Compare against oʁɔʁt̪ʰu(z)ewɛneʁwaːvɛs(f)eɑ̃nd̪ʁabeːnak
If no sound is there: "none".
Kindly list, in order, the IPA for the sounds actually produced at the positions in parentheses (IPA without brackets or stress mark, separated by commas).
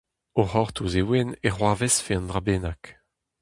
z, f